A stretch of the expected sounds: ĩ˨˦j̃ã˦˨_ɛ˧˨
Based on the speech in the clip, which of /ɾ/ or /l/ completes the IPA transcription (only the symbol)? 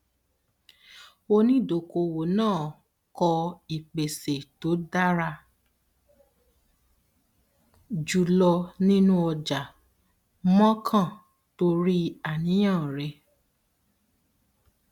ɾ